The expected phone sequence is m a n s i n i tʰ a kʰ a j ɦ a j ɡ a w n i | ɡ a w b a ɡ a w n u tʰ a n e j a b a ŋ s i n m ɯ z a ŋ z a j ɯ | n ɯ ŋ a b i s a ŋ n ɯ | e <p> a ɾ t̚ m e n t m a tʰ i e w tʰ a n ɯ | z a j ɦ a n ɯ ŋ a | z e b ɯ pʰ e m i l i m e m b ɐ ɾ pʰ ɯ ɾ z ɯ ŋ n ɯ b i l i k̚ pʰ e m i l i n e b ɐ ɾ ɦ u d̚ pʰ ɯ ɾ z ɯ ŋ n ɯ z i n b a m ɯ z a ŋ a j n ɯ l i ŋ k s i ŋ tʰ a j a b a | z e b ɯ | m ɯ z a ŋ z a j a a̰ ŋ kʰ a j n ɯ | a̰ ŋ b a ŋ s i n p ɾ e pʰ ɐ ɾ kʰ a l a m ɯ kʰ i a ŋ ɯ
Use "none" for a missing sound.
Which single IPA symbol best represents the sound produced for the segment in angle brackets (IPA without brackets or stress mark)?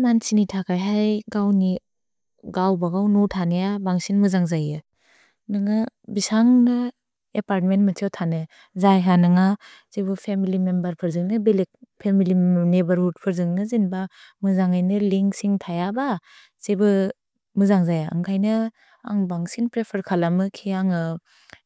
p